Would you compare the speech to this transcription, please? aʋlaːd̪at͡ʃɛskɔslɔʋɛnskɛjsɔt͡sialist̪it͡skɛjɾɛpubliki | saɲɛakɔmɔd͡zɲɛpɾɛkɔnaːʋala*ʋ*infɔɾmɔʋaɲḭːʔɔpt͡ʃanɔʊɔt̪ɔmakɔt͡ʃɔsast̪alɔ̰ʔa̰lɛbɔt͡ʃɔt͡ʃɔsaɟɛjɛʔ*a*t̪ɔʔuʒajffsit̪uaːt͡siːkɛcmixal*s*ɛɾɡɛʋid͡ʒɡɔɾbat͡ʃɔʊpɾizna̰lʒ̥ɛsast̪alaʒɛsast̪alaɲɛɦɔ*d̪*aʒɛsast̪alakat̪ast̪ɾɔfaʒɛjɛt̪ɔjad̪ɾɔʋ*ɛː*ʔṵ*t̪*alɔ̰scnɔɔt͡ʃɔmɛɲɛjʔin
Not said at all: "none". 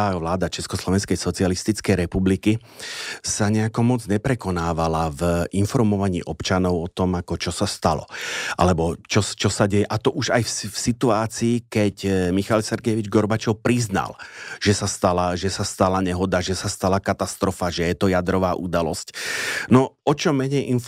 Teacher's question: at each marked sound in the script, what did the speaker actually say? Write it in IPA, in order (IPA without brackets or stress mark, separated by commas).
v, a, s, d̪, aː, d̪